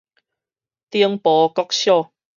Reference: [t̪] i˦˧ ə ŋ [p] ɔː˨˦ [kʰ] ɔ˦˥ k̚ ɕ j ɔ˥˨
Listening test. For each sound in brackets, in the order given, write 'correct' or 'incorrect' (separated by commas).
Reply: correct, correct, incorrect